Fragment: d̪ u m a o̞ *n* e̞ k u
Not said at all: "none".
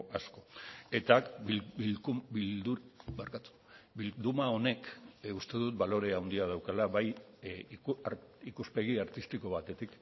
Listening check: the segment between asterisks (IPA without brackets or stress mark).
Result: n